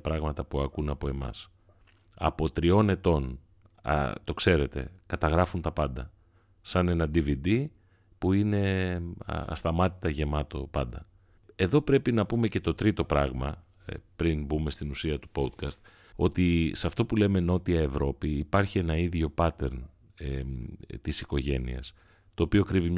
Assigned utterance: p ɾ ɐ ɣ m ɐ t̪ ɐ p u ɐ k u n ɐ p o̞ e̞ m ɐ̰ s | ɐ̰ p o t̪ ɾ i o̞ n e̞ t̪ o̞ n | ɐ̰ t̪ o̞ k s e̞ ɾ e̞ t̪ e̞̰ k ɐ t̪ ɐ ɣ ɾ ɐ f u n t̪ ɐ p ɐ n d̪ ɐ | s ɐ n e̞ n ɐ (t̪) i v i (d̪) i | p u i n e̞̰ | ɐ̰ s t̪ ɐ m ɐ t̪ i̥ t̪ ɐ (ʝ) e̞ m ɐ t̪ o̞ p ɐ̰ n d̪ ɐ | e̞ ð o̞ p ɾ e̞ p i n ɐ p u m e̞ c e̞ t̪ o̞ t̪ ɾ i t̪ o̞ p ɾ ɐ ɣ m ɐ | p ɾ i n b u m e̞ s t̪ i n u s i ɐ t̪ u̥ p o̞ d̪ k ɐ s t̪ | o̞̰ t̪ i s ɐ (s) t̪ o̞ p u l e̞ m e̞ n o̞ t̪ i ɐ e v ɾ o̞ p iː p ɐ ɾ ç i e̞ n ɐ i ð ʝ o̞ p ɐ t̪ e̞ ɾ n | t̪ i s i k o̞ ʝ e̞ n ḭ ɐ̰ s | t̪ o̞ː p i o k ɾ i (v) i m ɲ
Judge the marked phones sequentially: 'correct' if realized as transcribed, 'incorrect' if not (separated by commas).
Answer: incorrect, correct, correct, incorrect, correct